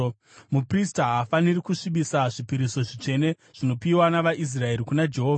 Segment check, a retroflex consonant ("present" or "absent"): present